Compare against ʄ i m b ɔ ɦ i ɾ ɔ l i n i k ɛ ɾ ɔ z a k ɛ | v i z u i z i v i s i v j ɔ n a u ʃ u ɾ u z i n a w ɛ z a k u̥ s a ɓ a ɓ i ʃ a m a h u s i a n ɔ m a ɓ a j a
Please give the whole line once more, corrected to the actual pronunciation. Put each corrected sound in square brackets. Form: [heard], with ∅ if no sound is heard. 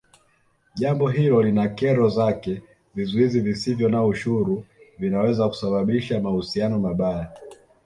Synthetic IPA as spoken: ʄ [a] m b ɔ ɦ i [l] ɔ l i n [a] k ɛ ɾ ɔ z a k ɛ | v i z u i z i v i s i v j ɔ n a u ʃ u ɾ u [v] i n a w ɛ z a k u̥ s a ɓ a ɓ i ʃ a m a h u s i a n ɔ m a ɓ a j a